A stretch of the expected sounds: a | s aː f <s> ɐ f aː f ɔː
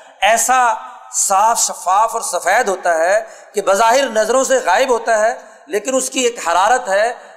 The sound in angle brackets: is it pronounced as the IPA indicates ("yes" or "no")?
no